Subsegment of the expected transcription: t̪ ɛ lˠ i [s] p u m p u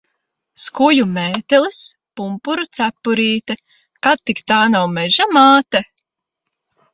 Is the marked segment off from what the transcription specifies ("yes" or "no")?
no